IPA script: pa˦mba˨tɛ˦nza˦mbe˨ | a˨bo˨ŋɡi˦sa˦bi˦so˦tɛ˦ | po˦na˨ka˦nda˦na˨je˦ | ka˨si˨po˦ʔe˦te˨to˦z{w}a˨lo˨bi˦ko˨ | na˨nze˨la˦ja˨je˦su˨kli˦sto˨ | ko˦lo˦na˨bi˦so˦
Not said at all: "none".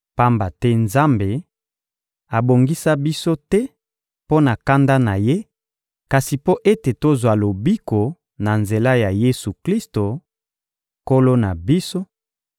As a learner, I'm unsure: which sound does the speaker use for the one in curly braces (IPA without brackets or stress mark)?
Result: w